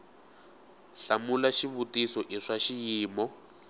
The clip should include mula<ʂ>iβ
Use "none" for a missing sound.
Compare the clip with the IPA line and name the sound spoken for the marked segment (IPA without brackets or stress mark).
ʃ